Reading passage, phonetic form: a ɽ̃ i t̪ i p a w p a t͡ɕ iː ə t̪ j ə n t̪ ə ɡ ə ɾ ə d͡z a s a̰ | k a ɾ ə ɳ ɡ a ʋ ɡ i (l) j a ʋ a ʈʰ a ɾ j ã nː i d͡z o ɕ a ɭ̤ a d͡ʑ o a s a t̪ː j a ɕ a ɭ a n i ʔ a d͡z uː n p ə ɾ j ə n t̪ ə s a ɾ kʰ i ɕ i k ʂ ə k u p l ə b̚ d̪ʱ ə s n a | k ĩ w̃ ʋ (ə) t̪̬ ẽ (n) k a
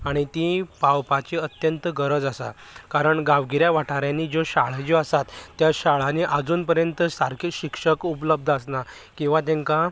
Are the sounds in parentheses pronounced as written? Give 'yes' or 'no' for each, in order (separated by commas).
no, no, no